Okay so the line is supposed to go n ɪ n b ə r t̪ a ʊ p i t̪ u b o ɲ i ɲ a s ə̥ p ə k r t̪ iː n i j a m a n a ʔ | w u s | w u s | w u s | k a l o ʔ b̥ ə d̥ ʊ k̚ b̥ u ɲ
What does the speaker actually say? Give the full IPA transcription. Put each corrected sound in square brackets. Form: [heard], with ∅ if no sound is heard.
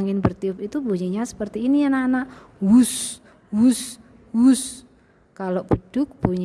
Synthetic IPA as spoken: [ŋ] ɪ n b ə r t̪ [i] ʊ p i t̪ u b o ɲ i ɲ a s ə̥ p ə [∅] r t̪ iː n i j a [n] a n a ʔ | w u s | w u s | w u s | k a l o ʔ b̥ ə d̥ ʊ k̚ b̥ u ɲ

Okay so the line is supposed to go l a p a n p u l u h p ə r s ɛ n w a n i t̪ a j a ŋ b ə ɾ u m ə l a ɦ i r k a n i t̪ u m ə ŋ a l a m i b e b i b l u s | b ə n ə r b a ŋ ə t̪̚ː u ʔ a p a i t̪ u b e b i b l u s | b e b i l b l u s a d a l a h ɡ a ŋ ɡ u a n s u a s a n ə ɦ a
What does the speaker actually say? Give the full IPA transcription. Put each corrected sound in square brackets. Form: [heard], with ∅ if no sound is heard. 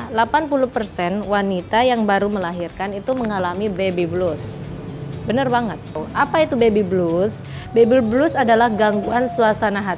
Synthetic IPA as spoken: l a p a n p u l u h p ə r s ɛ n w a n i t̪ a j a ŋ b [a] ɾ u m ə l a ɦ i r k a n i t̪ u m ə ŋ a l a m i b e b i b l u s | b ə n ə r b a ŋ ə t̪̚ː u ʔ a p a i t̪ u b e b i b l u s | b e b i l b l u s a d a l a h ɡ a ŋ ɡ u a n s u a s a n [a] ɦ a

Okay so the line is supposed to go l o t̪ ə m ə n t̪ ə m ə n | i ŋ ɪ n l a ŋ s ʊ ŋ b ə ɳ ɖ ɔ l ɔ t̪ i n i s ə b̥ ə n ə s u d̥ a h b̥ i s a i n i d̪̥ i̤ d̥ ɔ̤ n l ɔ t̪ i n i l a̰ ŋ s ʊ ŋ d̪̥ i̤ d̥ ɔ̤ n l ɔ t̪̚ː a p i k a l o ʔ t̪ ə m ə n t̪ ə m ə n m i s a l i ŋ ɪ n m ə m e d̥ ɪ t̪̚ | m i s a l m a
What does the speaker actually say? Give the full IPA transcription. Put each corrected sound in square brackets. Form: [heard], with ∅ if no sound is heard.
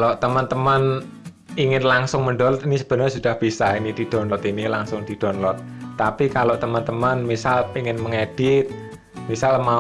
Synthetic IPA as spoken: l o t̪ ə m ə n t̪ ə m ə n | i ŋ ɪ n l a ŋ s ʊ ŋ [m] ə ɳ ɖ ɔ l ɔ t̪ i n i s ə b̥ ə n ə s u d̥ a h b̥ i s a i n i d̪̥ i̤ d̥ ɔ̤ n l ɔ t̪ i n i l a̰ ŋ s ʊ ŋ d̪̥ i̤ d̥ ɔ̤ n l ɔ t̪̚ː a p i k a l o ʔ t̪ ə m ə n t̪ ə m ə n m i s a l i ŋ ɪ n m ə [ŋ] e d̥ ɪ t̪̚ | m i s a l m a

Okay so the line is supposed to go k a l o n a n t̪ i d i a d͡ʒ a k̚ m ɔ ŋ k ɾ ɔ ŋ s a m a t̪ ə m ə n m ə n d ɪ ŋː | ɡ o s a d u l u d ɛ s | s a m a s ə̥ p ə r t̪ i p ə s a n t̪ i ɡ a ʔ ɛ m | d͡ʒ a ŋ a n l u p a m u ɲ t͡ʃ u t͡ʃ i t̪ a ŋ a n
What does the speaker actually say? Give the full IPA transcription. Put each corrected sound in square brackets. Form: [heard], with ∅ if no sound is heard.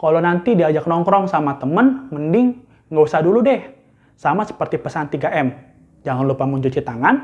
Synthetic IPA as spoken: k a l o n a n t̪ i d i a d͡ʒ a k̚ [n] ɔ ŋ k ɾ ɔ ŋ s a m a t̪ ə m ə n m ə n d ɪ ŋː | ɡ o s a d u l u d ɛ [h] | s a m a s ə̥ p ə r t̪ i p ə s a n t̪ i ɡ a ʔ ɛ m | d͡ʒ a ŋ a n l u p a m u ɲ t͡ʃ u t͡ʃ i t̪ a ŋ a n

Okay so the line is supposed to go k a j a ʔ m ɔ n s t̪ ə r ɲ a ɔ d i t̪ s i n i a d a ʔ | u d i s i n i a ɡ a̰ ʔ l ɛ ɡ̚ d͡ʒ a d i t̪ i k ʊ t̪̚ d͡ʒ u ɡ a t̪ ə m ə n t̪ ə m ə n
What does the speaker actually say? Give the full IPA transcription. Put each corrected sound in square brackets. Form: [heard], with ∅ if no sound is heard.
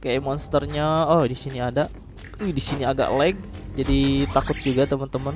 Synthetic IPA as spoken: k a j a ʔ m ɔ n s t̪ ə r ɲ a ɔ d i [∅] s i n i a d a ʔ | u d i s i n i a ɡ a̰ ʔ l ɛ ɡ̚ d͡ʒ a d i t̪ [a] k ʊ t̪̚ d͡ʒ u ɡ a t̪ ə m ə n t̪ ə m ə n

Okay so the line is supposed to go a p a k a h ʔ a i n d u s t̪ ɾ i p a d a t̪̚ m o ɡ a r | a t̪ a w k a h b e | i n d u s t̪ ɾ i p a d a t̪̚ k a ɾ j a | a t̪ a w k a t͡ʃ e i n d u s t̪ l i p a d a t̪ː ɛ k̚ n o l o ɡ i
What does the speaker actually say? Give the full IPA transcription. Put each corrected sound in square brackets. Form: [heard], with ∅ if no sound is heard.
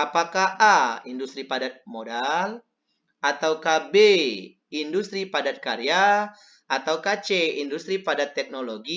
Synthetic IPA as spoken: a p a k a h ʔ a i n d u s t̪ ɾ i p a d a t̪̚ m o [d] a [l] | a t̪ a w k a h b e | i n d u s t̪ ɾ i p a d a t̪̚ k a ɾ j a | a t̪ a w k a t͡ʃ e i n d u s t̪ [ɾ] i p a d a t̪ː ɛ k̚ n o l o ɡ i

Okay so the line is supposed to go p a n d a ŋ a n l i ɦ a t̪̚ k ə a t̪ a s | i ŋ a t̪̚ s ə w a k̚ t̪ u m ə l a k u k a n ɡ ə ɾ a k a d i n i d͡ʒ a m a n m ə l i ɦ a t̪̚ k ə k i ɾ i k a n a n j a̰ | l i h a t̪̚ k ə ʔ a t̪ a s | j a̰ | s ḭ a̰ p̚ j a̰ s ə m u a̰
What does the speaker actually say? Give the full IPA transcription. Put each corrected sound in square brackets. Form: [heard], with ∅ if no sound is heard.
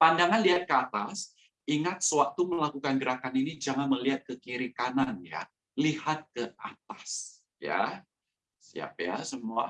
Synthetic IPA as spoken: p a n d a ŋ a n l i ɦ a t̪̚ k ə a t̪ a s | i ŋ a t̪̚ s ə w a k̚ t̪ u m ə l a k u k a n ɡ ə ɾ a k a [n] i n i d͡ʒ a [ŋ] a n m ə l i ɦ a t̪̚ k ə k i ɾ i k a n a n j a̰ | l i h a t̪̚ k ə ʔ a t̪ a s | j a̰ | s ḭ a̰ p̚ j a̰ s ə m u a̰

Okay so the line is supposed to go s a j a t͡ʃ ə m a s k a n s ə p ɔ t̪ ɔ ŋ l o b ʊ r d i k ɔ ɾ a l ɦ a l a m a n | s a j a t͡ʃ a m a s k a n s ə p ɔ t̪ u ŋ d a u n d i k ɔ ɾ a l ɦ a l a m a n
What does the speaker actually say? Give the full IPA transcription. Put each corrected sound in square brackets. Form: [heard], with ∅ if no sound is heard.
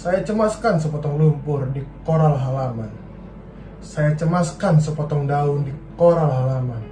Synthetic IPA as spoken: s a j a t͡ʃ ə m a s k a n s ə p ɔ t̪ ɔ ŋ l [u] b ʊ r d i k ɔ ɾ a l ɦ a l a m a n | s a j a t͡ʃ [ə] m a s k a n s ə p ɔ t̪ [ɔ] ŋ d a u n d i k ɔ ɾ a l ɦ a l a m a n

